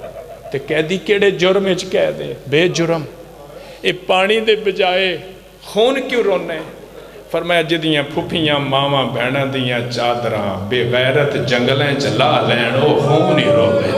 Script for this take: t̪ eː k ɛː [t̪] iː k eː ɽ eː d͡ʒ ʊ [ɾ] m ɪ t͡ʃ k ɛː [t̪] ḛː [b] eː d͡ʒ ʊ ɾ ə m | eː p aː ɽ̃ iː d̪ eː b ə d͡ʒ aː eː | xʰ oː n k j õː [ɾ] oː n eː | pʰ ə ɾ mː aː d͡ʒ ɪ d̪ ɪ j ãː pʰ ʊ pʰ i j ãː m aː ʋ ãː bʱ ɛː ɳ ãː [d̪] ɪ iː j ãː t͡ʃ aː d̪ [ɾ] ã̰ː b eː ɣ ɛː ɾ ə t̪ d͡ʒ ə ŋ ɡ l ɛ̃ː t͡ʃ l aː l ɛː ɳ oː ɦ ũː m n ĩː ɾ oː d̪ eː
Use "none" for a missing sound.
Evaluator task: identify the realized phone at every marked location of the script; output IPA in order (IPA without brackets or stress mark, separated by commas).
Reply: d̪, ɾ, d̪, b, ɾ, d̪, ɾ